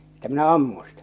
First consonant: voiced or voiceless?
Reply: voiceless